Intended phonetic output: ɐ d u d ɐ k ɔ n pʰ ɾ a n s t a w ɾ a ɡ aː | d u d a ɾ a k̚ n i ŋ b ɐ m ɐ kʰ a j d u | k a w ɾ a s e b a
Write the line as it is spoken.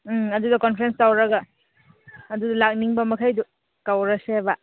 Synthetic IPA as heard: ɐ d u d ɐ k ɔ n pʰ ɾ e n s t a w ɾ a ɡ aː | d u d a l a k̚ n i ŋ b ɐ m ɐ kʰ a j d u | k a w ɾ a s e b a

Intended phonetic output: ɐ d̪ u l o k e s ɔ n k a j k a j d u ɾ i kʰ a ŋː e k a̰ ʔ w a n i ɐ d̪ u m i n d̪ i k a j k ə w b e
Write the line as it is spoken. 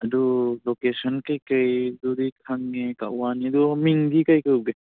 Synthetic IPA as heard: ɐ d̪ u l o k e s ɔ n k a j k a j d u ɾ i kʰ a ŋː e k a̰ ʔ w a n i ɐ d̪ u m i ŋ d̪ i k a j k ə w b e

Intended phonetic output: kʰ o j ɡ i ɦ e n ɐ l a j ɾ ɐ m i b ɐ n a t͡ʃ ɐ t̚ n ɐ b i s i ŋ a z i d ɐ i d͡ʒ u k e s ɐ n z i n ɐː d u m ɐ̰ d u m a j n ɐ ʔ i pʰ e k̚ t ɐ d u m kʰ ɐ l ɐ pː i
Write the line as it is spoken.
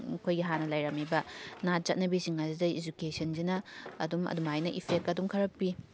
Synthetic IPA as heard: kʰ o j ɡ i ɦ a n ɐ l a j ɾ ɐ m i b ɐ n a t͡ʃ ɐ t̚ n ɐ b i s i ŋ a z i d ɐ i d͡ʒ u k e s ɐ n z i n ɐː d u m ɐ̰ d u m a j n ɐ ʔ i pʰ e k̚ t ɐ d u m kʰ ɐ ɾ ɐ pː i

